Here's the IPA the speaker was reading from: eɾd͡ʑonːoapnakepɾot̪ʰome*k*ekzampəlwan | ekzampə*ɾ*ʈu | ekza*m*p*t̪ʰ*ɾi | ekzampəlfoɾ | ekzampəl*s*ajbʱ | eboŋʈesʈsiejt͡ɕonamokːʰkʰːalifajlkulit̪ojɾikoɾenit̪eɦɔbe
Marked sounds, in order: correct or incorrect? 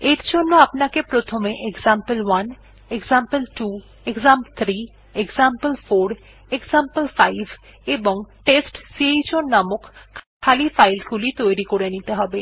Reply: incorrect, incorrect, correct, correct, incorrect

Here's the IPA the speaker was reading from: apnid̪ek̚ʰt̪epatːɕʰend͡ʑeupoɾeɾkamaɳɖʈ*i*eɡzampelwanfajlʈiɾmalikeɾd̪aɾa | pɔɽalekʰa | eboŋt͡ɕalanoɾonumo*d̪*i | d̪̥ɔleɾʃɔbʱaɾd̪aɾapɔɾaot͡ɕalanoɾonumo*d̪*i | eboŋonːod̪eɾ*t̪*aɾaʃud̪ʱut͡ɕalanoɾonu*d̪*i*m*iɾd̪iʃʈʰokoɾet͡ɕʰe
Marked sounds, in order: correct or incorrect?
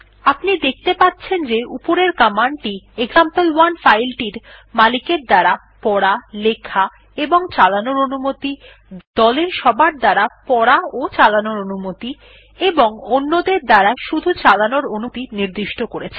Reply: correct, incorrect, incorrect, incorrect, incorrect, incorrect

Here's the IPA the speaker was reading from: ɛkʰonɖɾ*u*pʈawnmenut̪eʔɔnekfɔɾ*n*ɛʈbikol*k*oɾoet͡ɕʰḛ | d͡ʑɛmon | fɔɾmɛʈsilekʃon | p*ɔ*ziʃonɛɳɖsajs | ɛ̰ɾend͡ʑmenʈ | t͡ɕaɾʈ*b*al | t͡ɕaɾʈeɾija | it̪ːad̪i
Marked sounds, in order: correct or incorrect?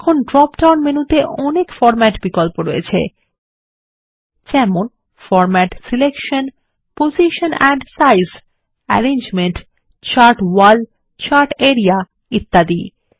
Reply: incorrect, incorrect, incorrect, incorrect, incorrect

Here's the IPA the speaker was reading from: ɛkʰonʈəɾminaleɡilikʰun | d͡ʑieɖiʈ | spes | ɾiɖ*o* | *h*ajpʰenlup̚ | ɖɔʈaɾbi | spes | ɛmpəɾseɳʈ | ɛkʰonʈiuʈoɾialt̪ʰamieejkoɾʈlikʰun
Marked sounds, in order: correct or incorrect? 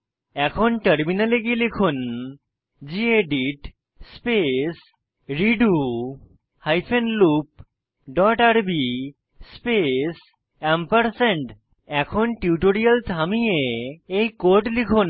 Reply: incorrect, correct

